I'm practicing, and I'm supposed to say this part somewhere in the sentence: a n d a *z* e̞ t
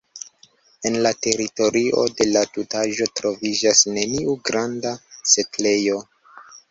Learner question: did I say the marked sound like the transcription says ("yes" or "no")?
no